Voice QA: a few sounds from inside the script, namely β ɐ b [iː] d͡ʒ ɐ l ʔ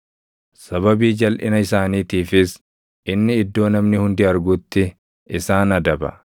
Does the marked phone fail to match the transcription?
no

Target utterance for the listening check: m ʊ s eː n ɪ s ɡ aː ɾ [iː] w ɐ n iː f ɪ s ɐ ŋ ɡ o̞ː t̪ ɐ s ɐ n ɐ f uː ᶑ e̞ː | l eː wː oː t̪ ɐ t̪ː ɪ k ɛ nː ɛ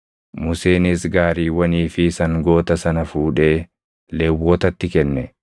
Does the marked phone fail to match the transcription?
no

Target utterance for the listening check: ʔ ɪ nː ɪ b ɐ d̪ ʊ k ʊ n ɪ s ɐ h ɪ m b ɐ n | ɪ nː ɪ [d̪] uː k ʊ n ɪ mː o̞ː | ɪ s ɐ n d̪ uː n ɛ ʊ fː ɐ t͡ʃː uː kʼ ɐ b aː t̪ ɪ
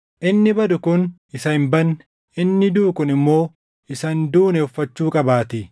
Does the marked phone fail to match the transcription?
no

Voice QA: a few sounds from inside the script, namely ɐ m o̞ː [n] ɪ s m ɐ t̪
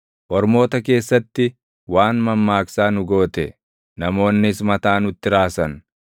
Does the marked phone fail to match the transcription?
yes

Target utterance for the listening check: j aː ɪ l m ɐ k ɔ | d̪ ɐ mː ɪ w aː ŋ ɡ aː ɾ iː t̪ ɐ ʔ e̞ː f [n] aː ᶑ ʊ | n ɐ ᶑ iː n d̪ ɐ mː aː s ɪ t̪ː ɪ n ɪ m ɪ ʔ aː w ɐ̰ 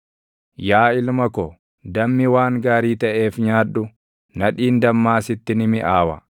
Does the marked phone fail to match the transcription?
yes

